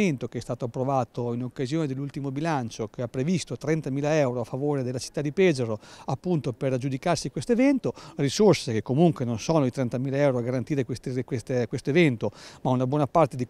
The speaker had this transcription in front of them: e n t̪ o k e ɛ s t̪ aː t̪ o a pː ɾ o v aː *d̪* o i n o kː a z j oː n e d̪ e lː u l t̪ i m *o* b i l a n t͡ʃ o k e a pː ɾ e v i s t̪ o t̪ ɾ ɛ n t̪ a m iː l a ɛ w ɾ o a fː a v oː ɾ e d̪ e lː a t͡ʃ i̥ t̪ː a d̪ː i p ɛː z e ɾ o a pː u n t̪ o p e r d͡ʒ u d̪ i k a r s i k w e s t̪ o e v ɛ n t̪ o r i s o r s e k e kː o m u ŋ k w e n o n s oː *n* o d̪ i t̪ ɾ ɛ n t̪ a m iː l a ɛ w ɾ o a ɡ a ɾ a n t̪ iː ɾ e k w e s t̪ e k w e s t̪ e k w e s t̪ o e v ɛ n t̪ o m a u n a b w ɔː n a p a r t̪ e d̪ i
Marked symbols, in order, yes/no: no, yes, yes

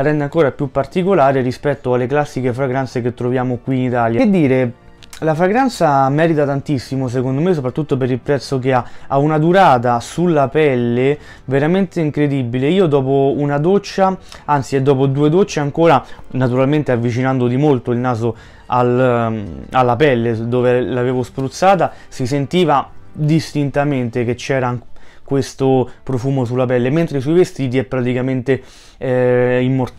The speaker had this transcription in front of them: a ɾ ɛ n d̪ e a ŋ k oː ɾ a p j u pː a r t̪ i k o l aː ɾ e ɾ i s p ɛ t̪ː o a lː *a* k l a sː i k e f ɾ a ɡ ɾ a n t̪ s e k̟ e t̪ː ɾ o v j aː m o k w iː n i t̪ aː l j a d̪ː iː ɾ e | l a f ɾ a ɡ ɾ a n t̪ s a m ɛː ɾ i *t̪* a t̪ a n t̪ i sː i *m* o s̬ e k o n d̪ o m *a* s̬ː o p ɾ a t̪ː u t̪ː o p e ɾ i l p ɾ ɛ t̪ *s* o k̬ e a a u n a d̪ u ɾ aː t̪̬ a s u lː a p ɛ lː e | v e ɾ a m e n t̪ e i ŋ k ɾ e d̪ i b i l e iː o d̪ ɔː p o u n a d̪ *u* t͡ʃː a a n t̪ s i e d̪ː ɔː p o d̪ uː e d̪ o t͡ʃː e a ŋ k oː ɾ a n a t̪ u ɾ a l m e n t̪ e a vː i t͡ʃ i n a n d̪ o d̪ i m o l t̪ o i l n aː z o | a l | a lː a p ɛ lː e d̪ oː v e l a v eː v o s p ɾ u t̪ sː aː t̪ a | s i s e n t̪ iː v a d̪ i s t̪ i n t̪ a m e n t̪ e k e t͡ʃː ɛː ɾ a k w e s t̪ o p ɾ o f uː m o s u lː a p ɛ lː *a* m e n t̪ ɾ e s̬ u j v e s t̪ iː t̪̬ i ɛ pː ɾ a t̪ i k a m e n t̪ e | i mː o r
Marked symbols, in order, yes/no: no, yes, yes, no, no, no, no

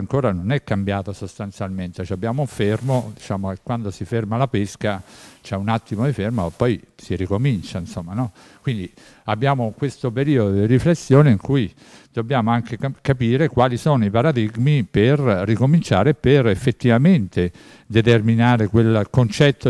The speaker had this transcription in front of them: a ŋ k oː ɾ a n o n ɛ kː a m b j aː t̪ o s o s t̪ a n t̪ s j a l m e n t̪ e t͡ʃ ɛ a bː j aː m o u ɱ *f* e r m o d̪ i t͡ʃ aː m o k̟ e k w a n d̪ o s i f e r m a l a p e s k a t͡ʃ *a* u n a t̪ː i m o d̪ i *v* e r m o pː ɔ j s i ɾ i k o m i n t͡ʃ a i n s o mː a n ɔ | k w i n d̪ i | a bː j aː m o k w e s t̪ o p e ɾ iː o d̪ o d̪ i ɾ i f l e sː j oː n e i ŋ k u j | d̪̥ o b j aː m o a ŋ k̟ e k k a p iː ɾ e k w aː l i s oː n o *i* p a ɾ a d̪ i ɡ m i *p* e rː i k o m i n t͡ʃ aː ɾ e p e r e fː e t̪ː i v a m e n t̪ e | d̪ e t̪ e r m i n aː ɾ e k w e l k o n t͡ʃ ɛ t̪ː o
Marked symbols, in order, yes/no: yes, no, no, yes, yes

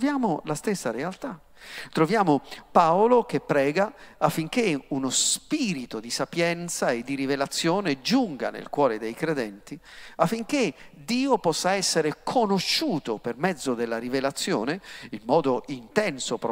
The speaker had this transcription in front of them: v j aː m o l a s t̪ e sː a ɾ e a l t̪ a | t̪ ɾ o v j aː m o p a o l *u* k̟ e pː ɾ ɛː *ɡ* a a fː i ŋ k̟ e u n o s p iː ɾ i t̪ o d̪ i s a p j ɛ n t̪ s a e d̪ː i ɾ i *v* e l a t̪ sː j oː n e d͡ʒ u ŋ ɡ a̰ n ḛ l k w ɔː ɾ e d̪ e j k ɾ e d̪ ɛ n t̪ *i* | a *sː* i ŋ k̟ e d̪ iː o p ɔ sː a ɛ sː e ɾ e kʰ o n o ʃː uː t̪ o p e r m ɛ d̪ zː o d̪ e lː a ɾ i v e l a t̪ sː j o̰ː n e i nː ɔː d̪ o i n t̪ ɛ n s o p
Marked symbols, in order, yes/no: no, yes, yes, yes, no

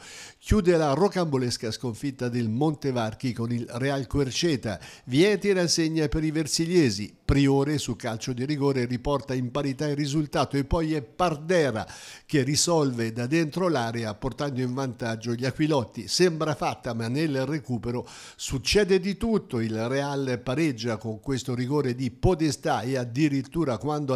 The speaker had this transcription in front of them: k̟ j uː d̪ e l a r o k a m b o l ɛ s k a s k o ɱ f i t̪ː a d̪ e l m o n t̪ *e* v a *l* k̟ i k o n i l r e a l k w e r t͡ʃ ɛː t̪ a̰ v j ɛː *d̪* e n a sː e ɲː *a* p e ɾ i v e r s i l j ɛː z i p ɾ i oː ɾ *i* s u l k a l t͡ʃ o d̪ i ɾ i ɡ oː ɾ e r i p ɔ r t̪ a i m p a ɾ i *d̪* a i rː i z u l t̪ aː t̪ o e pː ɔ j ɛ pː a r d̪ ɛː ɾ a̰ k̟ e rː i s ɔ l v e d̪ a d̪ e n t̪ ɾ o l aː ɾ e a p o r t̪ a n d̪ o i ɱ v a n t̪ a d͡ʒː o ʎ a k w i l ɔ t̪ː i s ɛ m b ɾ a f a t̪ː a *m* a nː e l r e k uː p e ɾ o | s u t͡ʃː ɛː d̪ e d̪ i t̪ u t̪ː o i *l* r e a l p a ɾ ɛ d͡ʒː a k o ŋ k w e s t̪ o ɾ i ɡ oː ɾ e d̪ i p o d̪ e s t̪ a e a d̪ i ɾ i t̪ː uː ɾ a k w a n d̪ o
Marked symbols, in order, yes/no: yes, no, no, yes, no, no, yes, yes

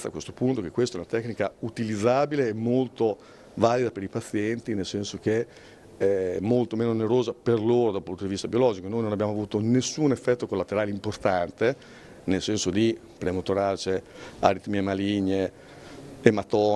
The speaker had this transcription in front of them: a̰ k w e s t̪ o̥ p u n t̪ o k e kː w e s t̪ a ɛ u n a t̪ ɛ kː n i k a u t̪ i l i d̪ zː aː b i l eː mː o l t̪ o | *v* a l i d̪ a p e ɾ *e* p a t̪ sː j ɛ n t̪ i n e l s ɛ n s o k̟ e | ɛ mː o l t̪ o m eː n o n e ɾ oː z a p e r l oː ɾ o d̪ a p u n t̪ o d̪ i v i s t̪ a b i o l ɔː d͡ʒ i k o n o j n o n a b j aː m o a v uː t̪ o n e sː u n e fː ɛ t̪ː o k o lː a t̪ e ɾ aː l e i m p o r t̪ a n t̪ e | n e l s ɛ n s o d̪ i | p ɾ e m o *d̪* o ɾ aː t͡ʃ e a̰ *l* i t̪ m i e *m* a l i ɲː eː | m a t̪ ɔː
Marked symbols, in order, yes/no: yes, no, no, no, yes

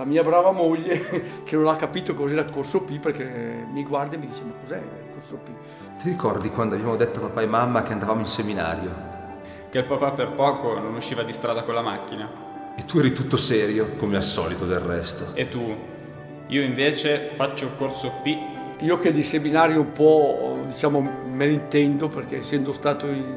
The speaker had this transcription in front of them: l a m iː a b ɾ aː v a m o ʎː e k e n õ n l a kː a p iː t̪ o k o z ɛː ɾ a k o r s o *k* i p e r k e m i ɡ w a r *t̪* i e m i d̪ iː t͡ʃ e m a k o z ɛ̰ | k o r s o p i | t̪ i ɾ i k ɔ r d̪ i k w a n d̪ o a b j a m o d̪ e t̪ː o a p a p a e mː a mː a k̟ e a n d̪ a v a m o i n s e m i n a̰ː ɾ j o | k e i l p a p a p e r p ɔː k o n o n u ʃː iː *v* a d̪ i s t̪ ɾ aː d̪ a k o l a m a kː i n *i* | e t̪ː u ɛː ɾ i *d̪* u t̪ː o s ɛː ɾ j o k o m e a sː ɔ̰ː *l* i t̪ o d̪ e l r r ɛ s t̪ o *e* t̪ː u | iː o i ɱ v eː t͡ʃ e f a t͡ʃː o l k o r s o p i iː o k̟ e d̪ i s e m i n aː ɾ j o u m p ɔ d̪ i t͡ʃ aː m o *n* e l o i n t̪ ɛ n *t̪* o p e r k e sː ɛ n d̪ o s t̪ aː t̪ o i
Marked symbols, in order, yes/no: no, no, yes, no, no, yes, yes, no, no

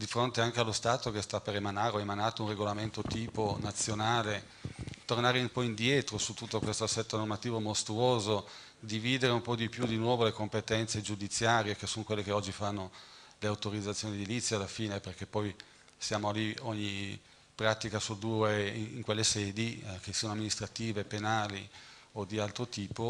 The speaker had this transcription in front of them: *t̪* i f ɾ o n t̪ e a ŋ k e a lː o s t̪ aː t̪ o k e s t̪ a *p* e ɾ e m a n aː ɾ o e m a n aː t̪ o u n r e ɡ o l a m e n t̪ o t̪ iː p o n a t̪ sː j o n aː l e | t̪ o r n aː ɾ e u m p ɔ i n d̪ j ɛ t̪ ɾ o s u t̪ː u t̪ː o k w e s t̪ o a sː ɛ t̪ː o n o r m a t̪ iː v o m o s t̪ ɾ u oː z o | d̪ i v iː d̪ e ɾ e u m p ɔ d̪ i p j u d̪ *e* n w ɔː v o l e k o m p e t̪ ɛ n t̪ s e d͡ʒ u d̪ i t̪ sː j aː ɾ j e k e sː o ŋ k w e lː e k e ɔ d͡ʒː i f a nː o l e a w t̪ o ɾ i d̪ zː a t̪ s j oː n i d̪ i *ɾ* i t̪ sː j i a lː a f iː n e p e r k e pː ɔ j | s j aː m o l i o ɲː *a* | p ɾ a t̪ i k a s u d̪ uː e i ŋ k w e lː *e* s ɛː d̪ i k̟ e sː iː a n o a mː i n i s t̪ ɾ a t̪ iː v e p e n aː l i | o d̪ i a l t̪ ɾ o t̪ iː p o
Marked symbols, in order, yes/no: no, yes, no, no, no, yes

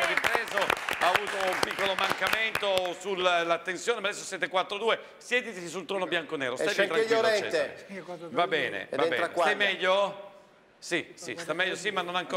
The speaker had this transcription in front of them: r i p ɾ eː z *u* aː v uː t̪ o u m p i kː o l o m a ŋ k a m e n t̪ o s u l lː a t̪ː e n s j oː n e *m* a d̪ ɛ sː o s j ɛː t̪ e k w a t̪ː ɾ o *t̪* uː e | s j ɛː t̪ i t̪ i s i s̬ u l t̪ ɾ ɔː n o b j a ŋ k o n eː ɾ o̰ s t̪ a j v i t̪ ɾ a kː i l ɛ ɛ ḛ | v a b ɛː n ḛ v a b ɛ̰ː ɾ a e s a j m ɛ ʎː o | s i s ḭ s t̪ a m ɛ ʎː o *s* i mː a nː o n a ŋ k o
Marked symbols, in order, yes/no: no, yes, no, yes

